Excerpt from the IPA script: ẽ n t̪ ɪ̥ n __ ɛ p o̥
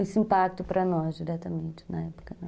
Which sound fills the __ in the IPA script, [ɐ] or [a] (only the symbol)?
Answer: ɐ